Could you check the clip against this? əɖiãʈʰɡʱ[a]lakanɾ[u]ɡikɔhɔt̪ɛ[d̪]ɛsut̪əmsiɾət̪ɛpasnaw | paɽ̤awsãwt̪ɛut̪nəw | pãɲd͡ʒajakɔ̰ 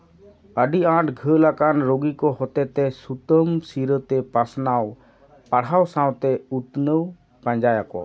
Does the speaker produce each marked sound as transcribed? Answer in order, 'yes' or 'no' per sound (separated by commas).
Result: no, no, no